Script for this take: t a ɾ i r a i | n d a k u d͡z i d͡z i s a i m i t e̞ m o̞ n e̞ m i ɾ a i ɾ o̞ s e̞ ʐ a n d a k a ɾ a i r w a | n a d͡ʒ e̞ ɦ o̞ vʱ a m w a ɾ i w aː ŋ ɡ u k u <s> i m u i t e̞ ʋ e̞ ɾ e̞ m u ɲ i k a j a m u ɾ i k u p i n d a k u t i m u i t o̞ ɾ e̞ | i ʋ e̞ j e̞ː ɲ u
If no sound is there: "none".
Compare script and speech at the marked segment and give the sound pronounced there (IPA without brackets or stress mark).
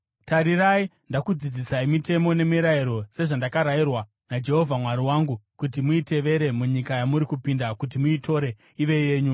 t